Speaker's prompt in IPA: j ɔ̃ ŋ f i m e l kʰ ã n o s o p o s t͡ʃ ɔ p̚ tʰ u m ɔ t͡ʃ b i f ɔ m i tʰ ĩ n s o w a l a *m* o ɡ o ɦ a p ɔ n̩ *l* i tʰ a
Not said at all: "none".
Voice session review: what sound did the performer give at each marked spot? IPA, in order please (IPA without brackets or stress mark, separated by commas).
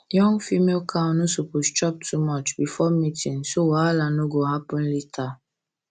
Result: n, l